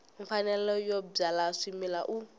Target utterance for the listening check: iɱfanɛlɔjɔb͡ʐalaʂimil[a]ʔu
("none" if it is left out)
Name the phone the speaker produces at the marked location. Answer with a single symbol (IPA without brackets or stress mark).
a